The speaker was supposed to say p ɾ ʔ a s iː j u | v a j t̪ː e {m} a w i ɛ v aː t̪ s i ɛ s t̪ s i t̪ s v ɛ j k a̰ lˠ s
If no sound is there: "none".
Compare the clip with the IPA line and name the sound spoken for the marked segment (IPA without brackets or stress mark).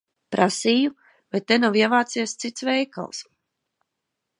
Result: n